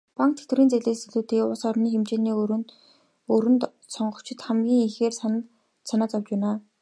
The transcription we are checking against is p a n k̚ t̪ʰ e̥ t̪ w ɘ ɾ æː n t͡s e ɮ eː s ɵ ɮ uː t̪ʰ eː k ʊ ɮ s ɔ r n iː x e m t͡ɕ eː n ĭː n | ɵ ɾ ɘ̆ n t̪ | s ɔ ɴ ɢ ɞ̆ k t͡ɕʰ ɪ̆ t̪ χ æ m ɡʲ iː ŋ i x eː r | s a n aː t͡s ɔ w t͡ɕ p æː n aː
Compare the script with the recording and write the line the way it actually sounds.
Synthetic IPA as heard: p a ŋ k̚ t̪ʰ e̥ t̪ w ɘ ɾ iː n t͡s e ɮ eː s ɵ ɮ uː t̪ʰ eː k ʊ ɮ s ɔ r n iː x e m t͡ɕ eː n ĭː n | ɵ ɾ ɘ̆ n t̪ | s ɔ ɴ ɢ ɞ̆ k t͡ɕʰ ɪ̆ t̪ χ æ m ɡʲ iː ŋ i x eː r | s a n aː t͡s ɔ w t͡ɕ p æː n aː